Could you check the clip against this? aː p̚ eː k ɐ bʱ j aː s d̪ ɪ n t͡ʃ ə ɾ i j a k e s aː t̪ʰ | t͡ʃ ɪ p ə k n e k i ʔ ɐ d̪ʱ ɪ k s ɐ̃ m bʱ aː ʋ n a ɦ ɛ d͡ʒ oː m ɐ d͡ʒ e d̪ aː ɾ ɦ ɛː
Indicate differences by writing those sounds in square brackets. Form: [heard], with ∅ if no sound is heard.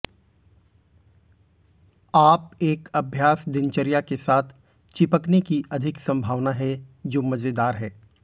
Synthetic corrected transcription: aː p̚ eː k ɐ bʱ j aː s d̪ ɪ n t͡ʃ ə ɾ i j a k e s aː t̪ʰ | t͡ʃ ɪ p ə k n e k i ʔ ɐ d̪ʱ ɪ k s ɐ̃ m bʱ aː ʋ n a ɦ ɛ d͡ʒ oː m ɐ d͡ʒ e d̪ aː ɾ ɦ ɛː